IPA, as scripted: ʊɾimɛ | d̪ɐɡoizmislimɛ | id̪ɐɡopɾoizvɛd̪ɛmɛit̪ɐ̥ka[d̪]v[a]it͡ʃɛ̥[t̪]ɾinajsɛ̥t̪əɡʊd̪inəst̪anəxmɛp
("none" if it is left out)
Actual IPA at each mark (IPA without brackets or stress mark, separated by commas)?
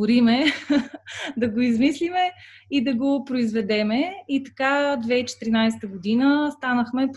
d̪, ɛ, t̪